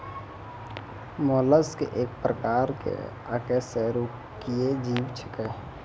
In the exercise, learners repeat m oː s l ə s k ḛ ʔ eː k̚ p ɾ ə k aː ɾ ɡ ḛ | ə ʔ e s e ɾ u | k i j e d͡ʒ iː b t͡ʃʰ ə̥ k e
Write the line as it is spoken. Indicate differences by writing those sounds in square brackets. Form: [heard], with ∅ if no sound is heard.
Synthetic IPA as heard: m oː [∅] l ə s k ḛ ʔ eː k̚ p ɾ ə k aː ɾ [k] ḛ | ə [k] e s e ɾ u | k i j e d͡ʒ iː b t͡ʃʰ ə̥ k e